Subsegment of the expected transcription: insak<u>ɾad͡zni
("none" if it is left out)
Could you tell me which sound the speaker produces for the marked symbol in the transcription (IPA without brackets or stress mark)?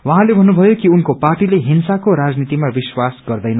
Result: o